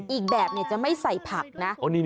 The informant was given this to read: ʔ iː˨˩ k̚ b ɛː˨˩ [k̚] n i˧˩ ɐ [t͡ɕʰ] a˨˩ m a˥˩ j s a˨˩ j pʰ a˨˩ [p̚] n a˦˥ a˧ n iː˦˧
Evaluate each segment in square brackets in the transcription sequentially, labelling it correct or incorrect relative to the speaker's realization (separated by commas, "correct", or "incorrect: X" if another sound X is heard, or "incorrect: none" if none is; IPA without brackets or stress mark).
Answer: incorrect: p̚, incorrect: t͡ɕ, incorrect: k̚